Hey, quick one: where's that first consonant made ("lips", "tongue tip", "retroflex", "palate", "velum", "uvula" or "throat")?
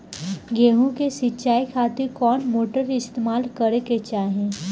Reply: velum